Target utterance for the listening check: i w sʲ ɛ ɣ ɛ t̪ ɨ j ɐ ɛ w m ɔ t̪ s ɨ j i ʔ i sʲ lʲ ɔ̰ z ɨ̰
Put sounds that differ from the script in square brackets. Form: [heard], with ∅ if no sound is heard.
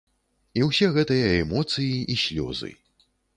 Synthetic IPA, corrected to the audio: i w sʲ ɛ ɣ ɛ t̪ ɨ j ɐ ɛ [∅] m ɔ t̪ s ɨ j i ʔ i sʲ lʲ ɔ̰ z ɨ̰